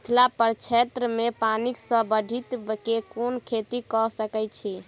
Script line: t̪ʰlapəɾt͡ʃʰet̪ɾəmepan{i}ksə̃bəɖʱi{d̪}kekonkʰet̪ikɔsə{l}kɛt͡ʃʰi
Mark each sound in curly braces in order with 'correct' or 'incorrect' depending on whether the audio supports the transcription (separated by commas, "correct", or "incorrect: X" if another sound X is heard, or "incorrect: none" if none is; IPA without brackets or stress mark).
correct, incorrect: t̪, incorrect: none